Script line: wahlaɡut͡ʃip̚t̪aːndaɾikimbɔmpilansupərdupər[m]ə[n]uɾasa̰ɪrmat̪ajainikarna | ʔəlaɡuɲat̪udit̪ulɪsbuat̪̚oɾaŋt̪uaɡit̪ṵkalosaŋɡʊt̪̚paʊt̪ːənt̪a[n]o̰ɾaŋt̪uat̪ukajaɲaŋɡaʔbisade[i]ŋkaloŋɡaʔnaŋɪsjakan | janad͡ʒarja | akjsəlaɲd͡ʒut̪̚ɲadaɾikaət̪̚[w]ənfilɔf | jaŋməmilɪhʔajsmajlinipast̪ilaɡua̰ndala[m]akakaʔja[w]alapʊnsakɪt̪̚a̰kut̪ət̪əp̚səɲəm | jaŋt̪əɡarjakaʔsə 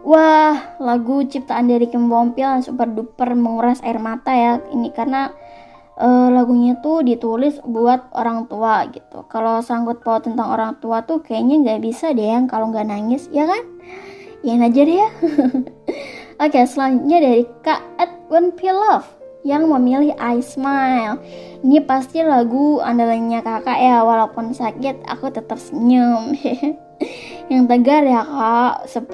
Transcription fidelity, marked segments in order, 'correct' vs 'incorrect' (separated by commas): correct, incorrect, incorrect, incorrect, correct, incorrect, correct